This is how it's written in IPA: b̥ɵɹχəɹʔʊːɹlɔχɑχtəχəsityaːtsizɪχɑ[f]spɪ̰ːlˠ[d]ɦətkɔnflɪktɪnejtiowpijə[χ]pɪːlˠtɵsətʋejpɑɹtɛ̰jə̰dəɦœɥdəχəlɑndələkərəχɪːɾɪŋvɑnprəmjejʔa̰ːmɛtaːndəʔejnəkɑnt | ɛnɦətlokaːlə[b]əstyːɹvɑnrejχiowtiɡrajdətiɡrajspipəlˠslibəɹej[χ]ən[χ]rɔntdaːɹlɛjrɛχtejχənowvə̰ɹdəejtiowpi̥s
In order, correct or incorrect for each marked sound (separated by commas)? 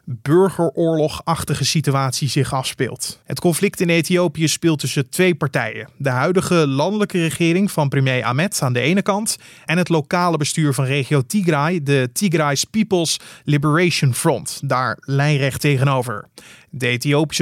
correct, incorrect, incorrect, correct, incorrect, incorrect